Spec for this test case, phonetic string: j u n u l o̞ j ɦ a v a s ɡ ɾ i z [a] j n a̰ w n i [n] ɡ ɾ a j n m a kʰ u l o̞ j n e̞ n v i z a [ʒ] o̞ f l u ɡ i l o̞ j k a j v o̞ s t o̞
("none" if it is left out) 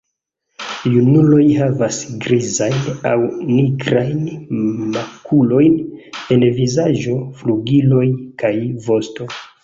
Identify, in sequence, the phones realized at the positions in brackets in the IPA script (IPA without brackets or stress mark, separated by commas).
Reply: a, none, ʒ